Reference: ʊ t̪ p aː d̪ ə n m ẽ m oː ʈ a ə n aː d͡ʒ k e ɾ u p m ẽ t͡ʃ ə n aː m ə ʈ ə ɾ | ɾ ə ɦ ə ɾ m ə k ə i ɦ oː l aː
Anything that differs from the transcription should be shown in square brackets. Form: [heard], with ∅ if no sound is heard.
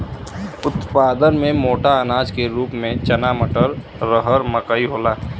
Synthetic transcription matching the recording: ʊ t̪ p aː d̪ ə n m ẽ m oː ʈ a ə n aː d͡ʒ k e ɾ [uː] p m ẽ t͡ʃ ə n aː m ə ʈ ə ɾ | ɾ ə ɦ ə ɾ m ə k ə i ɦ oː l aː